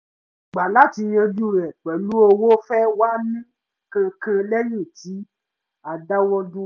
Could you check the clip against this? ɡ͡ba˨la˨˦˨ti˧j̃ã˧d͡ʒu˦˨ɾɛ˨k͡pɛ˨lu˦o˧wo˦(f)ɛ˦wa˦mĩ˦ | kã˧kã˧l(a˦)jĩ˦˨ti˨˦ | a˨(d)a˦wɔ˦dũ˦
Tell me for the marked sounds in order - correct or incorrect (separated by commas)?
correct, incorrect, correct